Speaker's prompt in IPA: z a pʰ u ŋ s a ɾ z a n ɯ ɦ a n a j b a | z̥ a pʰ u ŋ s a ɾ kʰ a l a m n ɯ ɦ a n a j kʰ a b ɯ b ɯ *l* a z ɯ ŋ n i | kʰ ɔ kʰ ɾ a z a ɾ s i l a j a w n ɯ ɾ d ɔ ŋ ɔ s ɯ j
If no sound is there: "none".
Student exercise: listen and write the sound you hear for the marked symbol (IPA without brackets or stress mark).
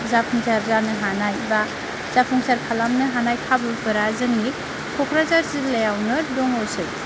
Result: ɾ